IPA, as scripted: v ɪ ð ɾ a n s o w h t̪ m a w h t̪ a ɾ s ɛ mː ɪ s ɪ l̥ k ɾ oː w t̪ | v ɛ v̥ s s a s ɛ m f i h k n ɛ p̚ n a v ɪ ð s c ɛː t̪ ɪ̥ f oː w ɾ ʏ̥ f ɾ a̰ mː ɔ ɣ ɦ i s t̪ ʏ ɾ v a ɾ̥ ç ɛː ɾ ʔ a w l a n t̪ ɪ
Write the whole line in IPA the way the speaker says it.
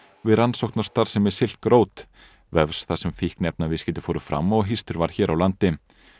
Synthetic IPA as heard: v ɪ ð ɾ a n s o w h t̪ n a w s t̪ a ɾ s ɛ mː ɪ s ɪ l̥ k ɾ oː w t̪ | v ɛ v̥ s θ a s ɛ m f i h k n ɛ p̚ n a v ɪ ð s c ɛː t̪ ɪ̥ f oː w ɾ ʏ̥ f ɾ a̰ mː ɔ ɣ ɦ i s t̪ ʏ ɾ v a ɾ̥ ç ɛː ɾ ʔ a w l a n t̪ ɪ